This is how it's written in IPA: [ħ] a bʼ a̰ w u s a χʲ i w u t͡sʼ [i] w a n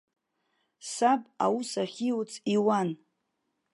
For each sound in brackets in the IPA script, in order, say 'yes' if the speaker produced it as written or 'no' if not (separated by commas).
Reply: no, yes